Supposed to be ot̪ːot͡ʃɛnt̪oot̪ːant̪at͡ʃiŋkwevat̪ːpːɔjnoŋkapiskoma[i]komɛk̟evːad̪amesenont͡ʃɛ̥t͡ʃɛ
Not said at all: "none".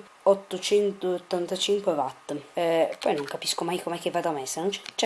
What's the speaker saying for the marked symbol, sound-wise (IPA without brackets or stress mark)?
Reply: j